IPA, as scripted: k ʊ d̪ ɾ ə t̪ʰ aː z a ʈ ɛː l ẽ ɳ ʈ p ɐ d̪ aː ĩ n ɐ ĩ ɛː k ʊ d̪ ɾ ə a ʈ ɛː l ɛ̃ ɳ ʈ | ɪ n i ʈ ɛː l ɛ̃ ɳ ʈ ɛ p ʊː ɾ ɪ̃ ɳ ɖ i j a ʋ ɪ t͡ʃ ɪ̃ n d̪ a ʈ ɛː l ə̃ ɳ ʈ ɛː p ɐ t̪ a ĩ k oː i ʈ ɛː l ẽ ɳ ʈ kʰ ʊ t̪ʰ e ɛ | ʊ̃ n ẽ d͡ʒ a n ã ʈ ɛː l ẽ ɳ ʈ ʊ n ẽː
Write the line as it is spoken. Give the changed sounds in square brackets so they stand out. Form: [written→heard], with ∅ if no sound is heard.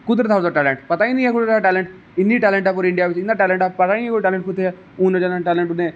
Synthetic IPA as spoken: k ʊ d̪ ɾ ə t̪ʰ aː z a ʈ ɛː l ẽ ɳ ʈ p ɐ [d̪→t̪] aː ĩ n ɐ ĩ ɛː k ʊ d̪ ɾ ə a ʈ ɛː l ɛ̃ ɳ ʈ | ɪ n i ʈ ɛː l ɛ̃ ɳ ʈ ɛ p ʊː ɾ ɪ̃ ɳ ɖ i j a ʋ ɪ t͡ʃ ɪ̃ n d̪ a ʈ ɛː l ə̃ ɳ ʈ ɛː p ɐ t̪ a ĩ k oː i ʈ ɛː l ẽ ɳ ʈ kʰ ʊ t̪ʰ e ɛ | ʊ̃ n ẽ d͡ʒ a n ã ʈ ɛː l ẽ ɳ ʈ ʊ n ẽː